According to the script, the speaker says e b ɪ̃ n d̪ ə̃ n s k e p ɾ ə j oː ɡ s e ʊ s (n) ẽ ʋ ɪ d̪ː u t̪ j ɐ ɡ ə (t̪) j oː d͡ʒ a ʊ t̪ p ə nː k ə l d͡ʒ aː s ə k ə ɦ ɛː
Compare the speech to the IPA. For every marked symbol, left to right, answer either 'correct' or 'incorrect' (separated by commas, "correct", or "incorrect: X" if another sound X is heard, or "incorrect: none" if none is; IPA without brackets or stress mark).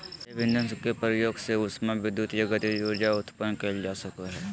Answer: incorrect: m, correct